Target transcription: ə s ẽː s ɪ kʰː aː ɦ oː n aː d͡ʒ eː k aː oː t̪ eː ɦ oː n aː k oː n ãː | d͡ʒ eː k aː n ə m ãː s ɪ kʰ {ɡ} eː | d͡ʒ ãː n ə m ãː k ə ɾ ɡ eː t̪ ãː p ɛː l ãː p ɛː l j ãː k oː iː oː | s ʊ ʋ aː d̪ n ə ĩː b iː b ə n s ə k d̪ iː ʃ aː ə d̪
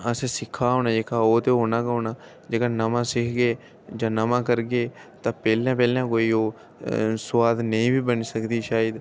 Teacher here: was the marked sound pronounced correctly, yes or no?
yes